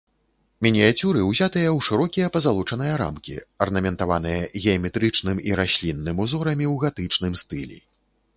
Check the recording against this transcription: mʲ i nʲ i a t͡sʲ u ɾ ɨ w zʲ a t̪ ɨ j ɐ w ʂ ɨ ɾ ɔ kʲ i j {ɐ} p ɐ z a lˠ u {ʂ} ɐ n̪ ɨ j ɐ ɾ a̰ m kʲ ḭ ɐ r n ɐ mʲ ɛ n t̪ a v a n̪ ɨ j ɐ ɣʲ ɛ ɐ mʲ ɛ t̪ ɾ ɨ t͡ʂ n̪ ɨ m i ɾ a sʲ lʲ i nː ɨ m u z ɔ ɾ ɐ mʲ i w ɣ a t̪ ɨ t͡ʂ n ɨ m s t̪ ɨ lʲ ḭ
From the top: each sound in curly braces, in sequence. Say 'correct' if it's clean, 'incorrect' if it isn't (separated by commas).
correct, incorrect